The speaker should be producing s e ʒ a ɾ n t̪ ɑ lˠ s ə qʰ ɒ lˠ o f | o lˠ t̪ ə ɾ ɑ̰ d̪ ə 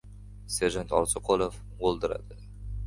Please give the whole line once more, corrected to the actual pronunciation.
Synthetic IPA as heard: s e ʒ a n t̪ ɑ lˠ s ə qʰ o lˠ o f | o lˠ d̪ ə ɾ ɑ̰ d̪ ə